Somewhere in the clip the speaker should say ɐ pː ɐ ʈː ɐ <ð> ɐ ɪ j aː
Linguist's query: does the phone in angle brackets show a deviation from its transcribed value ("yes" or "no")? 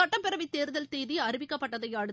no